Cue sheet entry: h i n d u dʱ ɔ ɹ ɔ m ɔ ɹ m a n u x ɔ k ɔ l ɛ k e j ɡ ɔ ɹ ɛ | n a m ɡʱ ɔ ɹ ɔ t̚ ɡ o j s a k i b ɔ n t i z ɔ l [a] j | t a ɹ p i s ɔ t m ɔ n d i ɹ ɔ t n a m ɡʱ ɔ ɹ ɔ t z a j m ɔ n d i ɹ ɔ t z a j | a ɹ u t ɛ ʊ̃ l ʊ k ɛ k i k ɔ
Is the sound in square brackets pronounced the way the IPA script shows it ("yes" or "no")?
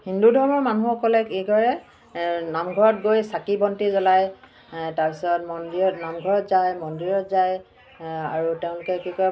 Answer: yes